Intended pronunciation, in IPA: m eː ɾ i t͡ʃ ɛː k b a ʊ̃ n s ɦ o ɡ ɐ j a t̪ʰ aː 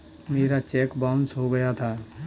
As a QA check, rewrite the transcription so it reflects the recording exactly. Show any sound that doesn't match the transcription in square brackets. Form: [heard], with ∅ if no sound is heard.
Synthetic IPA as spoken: m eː ɾ [a] t͡ʃ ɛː k b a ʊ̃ n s ɦ o ɡ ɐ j a t̪ʰ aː